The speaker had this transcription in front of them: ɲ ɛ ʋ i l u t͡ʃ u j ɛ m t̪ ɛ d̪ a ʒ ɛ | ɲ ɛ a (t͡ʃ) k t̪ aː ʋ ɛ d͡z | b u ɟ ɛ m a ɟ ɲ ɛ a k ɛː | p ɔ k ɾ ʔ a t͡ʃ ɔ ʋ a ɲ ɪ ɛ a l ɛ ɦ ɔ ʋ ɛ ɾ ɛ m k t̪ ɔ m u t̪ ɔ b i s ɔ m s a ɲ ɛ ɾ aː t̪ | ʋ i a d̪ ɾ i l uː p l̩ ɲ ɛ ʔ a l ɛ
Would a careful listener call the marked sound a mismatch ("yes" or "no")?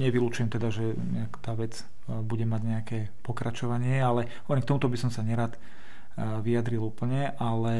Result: yes